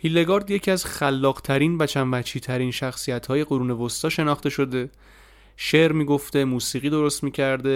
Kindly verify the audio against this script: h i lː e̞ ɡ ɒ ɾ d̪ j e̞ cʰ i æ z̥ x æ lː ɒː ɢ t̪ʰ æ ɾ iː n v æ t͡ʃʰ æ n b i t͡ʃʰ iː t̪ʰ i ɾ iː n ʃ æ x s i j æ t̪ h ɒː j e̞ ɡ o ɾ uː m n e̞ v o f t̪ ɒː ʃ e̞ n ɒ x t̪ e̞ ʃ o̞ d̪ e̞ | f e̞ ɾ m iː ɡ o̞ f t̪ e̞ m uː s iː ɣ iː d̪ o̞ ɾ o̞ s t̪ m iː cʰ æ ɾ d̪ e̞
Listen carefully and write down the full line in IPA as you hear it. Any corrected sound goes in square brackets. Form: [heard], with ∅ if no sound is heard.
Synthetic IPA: h i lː e̞ ɡ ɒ ɾ d̪ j e̞ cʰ i æ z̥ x æ lː ɒː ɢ t̪ʰ æ ɾ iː n v æ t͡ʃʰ æ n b [æ] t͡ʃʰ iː t̪ʰ [æ] ɾ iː n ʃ æ x s i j æ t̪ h ɒː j e̞ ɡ o ɾ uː [∅] n e̞ v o [s] t̪ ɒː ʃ e̞ n ɒ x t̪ e̞ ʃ o̞ d̪ e̞ | [ʃ] e̞ ɾ m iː ɡ o̞ f t̪ e̞ m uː s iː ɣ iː d̪ o̞ ɾ o̞ s t̪ m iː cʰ æ ɾ d̪ e̞